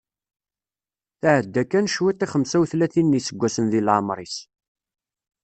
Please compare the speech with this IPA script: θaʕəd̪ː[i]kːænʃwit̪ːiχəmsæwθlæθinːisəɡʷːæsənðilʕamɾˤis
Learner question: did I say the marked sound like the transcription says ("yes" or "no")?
no